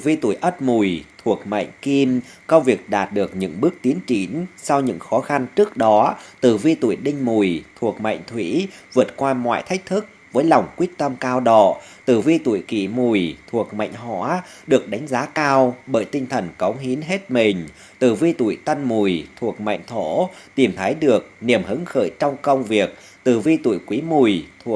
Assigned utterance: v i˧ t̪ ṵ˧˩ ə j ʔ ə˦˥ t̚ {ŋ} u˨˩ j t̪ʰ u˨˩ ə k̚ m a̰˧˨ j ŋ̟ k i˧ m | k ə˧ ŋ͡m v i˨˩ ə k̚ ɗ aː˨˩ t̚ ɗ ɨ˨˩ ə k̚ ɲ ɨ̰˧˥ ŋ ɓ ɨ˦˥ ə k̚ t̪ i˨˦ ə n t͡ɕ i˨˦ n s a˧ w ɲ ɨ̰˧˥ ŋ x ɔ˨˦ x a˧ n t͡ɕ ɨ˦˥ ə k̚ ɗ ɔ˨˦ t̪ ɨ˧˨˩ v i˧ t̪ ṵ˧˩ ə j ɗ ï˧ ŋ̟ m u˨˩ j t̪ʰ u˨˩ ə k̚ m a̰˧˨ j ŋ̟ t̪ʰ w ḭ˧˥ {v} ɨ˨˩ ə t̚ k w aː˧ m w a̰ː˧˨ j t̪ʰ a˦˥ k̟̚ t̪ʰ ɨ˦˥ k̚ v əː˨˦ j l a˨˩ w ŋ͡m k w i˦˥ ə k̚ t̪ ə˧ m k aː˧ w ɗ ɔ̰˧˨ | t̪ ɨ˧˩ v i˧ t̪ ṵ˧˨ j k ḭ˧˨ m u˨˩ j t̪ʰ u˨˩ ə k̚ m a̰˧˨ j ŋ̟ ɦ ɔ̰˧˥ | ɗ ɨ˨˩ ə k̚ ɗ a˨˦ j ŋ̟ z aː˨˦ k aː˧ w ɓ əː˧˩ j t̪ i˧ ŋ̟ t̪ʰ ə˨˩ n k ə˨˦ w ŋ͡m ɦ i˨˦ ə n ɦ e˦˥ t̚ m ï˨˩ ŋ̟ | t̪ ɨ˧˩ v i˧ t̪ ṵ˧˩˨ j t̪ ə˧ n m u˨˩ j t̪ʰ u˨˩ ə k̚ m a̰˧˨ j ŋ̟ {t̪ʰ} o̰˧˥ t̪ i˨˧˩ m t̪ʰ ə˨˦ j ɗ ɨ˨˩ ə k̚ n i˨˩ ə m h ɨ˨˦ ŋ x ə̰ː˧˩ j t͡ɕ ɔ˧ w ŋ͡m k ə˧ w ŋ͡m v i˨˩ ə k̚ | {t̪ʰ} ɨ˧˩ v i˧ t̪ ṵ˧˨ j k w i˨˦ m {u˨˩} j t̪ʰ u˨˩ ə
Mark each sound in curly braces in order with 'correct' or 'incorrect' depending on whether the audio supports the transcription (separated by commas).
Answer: incorrect, correct, correct, incorrect, correct